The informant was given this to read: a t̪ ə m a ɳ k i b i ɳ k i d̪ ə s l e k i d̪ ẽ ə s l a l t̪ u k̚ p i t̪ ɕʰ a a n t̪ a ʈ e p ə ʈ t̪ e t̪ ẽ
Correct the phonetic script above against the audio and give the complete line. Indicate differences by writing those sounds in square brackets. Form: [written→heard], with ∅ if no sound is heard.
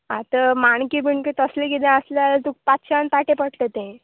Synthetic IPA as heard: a t̪ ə m a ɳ k i b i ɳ k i [d̪→t̪] ə s l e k i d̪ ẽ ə s l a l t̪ u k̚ p [i→a] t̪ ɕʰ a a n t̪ a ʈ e p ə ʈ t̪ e t̪ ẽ